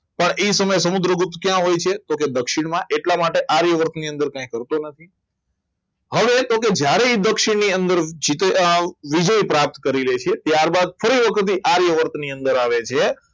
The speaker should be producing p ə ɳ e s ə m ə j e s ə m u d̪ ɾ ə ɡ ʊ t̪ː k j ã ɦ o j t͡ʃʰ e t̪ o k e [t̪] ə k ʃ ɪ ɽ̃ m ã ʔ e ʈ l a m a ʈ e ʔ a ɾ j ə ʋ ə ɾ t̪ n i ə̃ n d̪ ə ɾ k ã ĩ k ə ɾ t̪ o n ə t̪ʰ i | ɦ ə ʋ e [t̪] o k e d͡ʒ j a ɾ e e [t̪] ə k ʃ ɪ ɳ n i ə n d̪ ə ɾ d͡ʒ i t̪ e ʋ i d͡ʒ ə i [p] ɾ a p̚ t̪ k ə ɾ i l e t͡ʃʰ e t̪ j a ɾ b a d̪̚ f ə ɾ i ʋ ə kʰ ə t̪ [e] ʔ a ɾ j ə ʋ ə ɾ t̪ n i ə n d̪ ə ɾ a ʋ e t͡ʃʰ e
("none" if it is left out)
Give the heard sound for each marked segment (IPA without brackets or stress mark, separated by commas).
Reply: d̪, t̪, d̪, p, i